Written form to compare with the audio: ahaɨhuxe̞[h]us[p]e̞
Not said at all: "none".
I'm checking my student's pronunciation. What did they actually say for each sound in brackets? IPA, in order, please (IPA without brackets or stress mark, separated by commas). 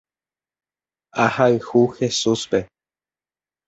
s, p